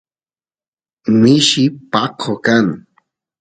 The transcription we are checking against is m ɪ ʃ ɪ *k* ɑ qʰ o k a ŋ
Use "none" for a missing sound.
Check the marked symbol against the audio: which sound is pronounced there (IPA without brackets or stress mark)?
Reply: p